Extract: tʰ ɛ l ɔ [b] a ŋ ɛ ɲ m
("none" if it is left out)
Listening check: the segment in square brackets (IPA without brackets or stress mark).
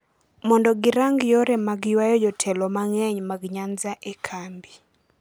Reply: m